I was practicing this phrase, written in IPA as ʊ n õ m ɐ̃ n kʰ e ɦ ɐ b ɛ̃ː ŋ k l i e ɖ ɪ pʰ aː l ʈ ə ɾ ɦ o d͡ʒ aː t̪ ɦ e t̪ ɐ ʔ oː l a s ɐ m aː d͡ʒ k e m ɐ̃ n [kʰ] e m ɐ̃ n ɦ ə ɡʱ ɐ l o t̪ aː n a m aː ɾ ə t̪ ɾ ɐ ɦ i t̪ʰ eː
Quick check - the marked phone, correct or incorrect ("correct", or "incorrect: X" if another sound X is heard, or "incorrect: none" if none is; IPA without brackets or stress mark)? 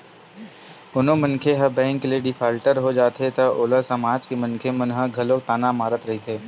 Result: correct